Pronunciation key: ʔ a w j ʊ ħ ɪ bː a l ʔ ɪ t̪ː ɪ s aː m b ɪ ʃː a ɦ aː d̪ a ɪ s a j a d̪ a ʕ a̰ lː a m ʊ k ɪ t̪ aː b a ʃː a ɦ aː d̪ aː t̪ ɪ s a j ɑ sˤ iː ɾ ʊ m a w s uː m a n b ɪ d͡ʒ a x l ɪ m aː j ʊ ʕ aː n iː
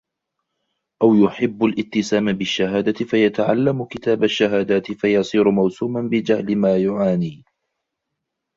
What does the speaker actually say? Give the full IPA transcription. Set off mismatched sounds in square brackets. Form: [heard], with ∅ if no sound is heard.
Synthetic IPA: ʔ a w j ʊ ħ ɪ bː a l ʔ ɪ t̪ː ɪ s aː m b ɪ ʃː a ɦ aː d̪ a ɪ [f] a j a [t̪] a ʕ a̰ lː a m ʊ k ɪ t̪ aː b a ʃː a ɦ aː d̪ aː t̪ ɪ [f] a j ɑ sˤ iː ɾ ʊ m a w s uː m a n b ɪ d͡ʒ a [h] l ɪ m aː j ʊ ʕ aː n iː